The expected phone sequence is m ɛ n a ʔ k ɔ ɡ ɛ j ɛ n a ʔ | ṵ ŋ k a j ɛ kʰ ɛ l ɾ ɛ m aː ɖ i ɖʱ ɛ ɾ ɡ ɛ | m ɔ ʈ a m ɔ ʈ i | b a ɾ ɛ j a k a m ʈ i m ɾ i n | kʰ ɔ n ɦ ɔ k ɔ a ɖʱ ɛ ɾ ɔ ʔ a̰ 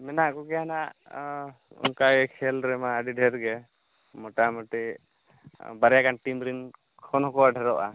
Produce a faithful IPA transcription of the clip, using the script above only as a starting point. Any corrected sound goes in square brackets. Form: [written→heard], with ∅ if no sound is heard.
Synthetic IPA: m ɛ n a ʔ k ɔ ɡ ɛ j [ɛ→a] n a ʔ | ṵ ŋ k a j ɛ kʰ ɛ l ɾ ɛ m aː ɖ i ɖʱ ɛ ɾ ɡ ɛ | m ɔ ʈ a m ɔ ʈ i | b a ɾ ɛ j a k a [m→n] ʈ i m ɾ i n | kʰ ɔ n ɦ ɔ k ɔ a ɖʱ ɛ ɾ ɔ ʔ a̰